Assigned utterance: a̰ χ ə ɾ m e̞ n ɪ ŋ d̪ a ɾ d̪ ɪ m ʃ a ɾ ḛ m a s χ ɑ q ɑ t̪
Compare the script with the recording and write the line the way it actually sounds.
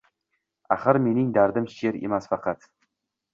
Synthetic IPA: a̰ χ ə ɾ m e̞ n ɪ ŋ d̪ a ɾ d̪ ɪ m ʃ e ɾ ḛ m a s f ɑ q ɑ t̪

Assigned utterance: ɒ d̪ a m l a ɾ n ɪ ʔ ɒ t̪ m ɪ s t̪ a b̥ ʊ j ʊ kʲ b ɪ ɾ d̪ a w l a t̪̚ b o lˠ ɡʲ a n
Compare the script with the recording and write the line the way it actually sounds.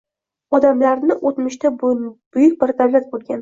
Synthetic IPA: ɒ d̪ a m l a ɾ n ɪ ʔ o t̪ m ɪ ʃ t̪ a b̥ ʊ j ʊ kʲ b ɪ ɾ d̪ a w l a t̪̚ b o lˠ ɡʲ a n

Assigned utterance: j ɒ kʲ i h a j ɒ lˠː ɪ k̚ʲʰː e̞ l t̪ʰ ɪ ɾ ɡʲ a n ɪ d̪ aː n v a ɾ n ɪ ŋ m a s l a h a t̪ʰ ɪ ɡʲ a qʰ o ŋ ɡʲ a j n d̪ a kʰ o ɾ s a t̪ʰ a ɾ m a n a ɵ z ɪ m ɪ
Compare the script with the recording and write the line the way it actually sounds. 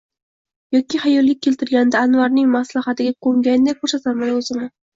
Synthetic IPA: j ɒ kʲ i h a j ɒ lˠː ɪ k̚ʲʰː e̞ l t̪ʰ ɪ ɾ ɡʲ a n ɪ d̪ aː n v a ɾ n ɪ ŋ m a s l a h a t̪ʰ ɪ ɡʲ a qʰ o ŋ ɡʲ a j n d̪ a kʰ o ɾ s a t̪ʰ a ɾ m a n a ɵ z ɪ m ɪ

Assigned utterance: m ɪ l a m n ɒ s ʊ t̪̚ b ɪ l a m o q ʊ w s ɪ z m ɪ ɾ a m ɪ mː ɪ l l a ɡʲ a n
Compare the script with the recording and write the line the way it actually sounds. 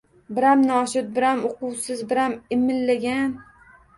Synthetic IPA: b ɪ ɾ a m n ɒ ʃ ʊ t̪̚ b ɪ ɾ a m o q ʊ w s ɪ z b ɪ ɾ a m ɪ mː ɪ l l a ɡʲ a n

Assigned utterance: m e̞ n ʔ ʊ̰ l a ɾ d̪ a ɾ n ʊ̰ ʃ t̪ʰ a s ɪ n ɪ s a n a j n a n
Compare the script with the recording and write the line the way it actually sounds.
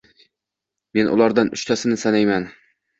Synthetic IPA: m e̞ n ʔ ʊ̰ l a ɾ d̪ a n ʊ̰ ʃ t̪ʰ a s ɪ n ɪ s a n a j m a n

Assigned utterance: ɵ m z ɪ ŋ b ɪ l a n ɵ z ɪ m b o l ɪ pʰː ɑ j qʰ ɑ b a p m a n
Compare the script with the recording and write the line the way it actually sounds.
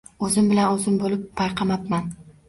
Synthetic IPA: ɵ z ɪ m b ɪ l a n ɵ z ɪ m b o l ɪ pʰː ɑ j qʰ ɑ m a p m a n

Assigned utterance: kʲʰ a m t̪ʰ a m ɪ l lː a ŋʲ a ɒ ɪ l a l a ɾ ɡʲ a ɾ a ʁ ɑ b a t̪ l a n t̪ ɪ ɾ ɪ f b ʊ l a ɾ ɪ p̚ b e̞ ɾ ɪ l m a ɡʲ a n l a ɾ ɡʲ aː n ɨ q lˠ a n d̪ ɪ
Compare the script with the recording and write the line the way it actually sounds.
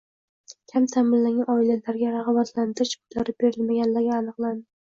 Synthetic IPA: kʲʰ a m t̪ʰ a m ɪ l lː a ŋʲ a ɒ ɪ l a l a ɾ ɡʲ a ɾ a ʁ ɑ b a t̪ l a n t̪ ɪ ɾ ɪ ʃ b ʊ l a ɾ ɪ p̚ b e̞ ɾ ɪ l m a ɡʲ a n l a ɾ ɡʲ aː n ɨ q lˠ a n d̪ ɪ

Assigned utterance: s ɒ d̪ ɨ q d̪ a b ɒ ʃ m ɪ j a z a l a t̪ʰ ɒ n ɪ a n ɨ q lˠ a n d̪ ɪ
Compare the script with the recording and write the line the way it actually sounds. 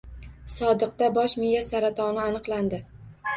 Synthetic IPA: s ɒ d̪ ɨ q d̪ a b ɒ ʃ m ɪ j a s a ɾ a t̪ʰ ɒ n ɪ a n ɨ q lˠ a n d̪ ɪ

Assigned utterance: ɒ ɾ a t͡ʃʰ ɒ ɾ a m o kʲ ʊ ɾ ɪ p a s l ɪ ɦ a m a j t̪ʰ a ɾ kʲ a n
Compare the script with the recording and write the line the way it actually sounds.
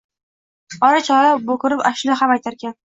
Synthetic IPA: ɒ ɾ a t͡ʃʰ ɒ ɾ a b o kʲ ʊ ɾ ɪ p a ʃ l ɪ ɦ a m a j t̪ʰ a ɾ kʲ a n

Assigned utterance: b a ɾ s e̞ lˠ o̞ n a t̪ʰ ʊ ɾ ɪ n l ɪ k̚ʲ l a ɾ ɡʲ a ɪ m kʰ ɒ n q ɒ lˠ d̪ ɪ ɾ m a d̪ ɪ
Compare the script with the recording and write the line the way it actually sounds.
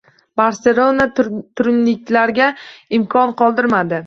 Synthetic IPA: b a ɾ s e̞ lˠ o̞ n a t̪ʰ ʊ ɾ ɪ n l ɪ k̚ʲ l a ɾ ɡʲ a ɪ m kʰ ɒ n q ɒ lˠ d̪ ɪ ɾ m a d̪ ɪ

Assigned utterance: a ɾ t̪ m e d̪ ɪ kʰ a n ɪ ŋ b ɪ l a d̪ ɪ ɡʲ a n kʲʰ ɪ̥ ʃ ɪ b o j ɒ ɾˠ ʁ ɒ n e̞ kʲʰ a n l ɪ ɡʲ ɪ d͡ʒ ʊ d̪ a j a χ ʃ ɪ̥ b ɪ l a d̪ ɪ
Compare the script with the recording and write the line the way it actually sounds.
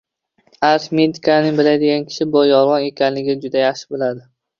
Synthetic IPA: a ɾ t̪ m e d̪ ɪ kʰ a n ɪ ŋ b ɪ l a d̪ ɪ ɡʲ a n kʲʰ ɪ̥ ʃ ɪ b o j ɒ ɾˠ ʁ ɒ n e̞ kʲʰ a n l ɪ ɡʲ ɪ d͡ʒ ʊ d̪ a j a χ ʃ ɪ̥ b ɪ l a d̪ ɪ

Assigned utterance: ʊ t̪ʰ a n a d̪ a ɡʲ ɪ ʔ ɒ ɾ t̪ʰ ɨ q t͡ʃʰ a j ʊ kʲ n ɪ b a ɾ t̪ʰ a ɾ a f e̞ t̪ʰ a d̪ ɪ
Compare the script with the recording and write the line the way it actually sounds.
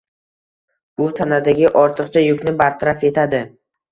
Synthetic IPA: ʊ t̪ʰ a n a d̪ a ɡʲ ɪ ʔ ɒ ɾ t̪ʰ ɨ q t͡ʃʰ a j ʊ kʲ n ɪ b a ɾ t̪ʰ a ɾ a f e̞ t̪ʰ a d̪ ɪ

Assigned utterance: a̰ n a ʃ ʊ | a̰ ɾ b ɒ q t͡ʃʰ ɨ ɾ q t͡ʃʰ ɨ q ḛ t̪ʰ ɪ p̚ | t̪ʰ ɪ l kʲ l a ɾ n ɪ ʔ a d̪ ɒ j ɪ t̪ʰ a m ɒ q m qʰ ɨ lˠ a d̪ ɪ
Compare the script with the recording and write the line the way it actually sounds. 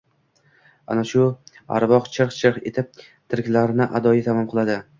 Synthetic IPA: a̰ n a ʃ ʊ | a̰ ɾ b ɒ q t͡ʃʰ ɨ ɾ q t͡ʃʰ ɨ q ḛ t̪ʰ ɪ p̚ | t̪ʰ ɪ ɾ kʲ l a ɾ n ɪ ʔ a d̪ ɒ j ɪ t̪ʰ a m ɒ m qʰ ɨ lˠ a d̪ ɪ

